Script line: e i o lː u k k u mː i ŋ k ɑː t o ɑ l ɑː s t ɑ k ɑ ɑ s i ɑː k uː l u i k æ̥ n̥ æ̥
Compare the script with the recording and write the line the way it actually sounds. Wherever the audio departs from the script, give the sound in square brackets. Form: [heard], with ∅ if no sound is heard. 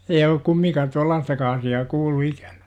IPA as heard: e i o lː u k k u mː i ŋ k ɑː t [u] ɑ [lː] ɑː s t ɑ k ɑ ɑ s i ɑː k uː [lː] u i k æ̥ n̥ æ̥